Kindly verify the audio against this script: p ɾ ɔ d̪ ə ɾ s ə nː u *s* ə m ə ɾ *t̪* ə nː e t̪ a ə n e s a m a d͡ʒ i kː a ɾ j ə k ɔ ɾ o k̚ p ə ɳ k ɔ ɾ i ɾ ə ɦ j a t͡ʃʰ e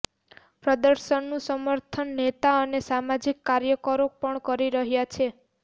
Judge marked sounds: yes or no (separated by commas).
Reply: yes, no